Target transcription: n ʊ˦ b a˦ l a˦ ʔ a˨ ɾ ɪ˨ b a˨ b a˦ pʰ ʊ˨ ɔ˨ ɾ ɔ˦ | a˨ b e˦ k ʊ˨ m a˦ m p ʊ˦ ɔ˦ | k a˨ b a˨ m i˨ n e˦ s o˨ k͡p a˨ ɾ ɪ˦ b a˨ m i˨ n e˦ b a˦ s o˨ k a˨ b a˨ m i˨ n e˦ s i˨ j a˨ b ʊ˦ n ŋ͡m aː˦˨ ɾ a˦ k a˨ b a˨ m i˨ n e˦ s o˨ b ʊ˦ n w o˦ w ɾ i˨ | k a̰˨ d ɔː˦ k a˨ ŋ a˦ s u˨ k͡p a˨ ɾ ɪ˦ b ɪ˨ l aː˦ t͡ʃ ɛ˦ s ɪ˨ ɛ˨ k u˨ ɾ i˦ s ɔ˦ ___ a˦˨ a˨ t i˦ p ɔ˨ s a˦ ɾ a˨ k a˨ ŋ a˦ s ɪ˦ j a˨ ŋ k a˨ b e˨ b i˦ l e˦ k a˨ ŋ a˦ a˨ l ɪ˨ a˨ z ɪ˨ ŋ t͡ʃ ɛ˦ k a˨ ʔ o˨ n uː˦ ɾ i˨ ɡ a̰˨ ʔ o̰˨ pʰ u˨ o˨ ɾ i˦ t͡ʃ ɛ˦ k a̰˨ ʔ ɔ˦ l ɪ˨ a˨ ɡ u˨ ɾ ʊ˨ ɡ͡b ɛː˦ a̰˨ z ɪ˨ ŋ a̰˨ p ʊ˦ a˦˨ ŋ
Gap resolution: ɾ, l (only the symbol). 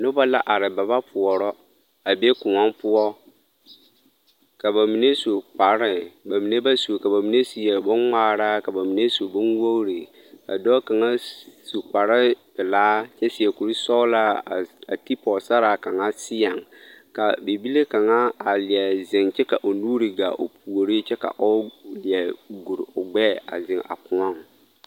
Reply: l